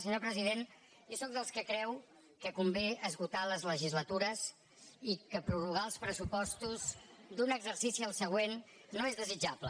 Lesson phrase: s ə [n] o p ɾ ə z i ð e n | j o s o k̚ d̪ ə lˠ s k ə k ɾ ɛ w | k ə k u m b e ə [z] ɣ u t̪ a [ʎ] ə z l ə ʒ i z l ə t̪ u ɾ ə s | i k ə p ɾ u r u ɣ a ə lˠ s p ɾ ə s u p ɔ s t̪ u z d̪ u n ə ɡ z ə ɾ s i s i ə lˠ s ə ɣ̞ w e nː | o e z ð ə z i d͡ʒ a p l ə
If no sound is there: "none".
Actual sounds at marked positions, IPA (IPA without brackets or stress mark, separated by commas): ɲ, z, l